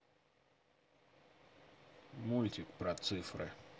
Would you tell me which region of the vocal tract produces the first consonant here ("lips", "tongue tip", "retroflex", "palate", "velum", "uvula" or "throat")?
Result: lips